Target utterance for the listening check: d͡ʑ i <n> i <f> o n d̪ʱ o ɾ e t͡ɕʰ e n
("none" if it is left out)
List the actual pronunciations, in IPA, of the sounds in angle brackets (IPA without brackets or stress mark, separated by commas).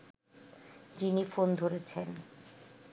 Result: n, f